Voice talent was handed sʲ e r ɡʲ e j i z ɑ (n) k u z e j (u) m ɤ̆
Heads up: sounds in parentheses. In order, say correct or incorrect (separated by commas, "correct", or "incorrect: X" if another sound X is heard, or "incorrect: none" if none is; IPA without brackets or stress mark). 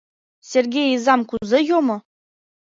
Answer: incorrect: m, incorrect: o